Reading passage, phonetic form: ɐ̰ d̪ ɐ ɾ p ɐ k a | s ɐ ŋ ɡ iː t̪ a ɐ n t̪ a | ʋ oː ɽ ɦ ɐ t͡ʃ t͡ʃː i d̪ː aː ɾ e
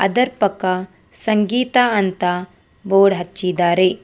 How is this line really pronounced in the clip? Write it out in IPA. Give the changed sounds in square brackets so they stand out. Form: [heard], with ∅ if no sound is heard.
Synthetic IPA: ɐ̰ d̪ ɐ ɾ p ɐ k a | s ɐ ŋ ɡ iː t̪ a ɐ n t̪ a | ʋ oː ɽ ɦ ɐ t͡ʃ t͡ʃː i [d̪] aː ɾ e